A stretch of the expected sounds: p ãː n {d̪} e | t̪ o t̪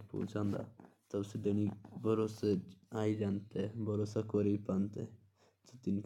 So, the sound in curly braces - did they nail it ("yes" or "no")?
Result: no